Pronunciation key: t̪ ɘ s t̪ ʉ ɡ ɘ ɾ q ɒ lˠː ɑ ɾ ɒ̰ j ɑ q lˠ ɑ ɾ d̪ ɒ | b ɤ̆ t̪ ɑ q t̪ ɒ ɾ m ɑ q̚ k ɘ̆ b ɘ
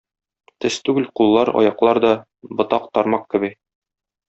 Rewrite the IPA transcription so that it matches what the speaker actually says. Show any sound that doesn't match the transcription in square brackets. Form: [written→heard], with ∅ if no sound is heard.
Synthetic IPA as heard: t̪ ɘ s t̪ ʉ ɡ ɘ [ɾ→l] q [ɒ→u] lˠː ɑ ɾ ɒ̰ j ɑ q lˠ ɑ ɾ d̪ ɒ | b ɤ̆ t̪ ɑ q t̪ ɒ ɾ m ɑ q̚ k ɘ̆ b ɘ